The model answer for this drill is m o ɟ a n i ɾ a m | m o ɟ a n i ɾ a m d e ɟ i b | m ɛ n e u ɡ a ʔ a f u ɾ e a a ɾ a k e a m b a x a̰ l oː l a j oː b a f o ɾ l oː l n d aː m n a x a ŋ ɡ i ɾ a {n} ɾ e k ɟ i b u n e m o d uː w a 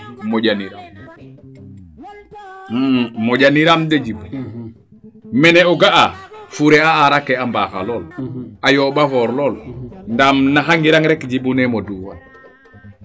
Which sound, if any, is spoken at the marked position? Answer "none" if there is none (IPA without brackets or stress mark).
ŋ